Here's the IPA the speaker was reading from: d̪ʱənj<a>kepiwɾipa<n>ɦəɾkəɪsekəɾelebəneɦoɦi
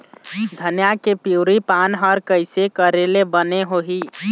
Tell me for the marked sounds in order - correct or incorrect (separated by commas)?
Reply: correct, correct